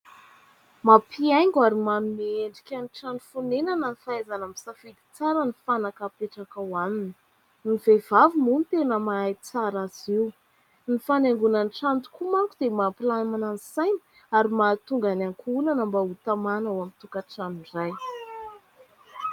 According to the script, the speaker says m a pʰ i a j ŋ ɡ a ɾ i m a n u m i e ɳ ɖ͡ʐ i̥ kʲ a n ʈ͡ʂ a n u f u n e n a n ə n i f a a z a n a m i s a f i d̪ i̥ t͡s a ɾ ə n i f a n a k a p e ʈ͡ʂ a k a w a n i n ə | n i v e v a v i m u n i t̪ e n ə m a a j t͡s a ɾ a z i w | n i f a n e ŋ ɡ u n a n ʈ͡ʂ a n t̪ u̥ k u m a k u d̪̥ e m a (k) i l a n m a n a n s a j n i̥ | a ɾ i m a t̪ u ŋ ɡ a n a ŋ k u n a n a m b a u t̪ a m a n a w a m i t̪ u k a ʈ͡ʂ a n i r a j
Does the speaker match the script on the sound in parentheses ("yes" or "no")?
no